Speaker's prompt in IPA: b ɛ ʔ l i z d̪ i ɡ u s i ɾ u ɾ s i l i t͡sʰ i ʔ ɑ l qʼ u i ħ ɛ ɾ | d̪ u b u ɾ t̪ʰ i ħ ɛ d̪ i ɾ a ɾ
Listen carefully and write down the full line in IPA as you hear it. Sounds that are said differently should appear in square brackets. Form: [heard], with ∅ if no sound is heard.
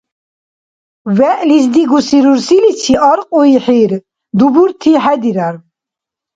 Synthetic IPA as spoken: [v] ɛ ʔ l i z d̪ i ɡ u s i ɾ u ɾ s i l i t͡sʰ i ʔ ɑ [ɾ] qʼ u i ħ [i] ɾ | d̪ u b u ɾ t̪ʰ i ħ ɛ d̪ i ɾ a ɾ